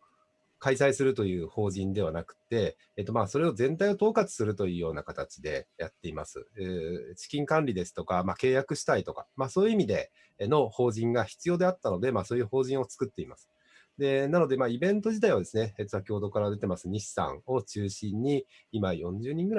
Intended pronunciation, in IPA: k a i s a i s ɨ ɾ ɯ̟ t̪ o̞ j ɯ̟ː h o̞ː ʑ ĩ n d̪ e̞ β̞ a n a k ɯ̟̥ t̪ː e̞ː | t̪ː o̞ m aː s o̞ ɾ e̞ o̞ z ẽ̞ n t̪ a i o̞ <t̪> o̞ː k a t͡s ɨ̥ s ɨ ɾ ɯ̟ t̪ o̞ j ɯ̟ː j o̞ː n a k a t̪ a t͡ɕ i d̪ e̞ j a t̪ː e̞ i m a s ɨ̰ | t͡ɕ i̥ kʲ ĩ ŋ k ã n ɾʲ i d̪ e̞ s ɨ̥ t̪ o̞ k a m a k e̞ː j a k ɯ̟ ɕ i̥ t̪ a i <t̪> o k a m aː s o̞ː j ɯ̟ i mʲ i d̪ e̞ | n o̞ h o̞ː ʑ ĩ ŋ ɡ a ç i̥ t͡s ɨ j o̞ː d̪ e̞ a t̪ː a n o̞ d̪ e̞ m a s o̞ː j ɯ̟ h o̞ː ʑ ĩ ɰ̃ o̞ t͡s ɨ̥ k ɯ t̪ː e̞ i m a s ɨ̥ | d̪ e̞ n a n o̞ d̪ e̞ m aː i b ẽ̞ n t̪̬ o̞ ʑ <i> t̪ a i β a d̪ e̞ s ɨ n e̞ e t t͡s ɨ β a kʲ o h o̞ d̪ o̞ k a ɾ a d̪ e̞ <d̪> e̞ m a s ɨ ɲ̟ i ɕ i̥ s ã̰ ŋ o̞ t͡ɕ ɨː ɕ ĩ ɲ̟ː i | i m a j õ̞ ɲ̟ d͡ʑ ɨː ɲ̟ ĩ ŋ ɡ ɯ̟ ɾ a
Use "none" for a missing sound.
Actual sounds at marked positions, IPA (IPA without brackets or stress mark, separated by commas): t̪, t̪, i, t̪